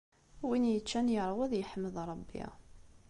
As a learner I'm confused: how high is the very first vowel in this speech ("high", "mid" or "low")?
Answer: high